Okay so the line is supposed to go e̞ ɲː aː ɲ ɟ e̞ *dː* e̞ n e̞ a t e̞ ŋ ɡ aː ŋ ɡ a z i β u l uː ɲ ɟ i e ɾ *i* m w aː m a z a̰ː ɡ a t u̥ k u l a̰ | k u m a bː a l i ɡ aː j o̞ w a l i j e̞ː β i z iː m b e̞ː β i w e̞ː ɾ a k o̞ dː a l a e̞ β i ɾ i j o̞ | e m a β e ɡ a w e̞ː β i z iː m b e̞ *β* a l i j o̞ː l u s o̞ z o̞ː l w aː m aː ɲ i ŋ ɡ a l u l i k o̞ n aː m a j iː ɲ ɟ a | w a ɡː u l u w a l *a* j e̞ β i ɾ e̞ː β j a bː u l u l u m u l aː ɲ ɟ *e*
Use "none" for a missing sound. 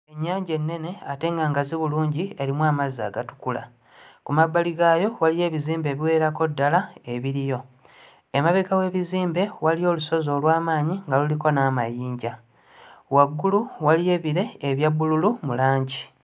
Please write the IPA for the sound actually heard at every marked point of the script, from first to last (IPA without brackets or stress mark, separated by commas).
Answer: nː, i, w, i, i